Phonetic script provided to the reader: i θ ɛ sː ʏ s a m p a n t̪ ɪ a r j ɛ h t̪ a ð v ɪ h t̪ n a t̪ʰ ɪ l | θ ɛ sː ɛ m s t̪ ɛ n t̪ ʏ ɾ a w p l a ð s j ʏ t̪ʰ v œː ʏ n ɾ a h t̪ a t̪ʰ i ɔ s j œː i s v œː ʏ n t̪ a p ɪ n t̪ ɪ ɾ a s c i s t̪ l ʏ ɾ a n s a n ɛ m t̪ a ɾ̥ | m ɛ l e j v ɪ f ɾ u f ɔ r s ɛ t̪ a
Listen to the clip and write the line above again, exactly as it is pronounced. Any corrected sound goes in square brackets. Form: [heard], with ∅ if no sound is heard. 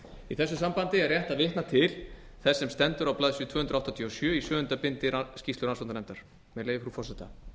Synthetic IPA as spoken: i θ ɛ sː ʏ s a m p a n t̪ ɪ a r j ɛ h t̪ a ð v ɪ h t̪ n a t̪ʰ ɪ l | θ ɛ sː ɛ m s t̪ ɛ n t̪ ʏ ɾ a w p l a ð s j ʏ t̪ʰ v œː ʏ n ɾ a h t̪ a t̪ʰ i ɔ s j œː i s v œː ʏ n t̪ a p ɪ n t̪ ɪ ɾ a s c i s t̪ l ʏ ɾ a n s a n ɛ m t̪ a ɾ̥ | m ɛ l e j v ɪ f ɾ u f ɔ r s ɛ t̪ a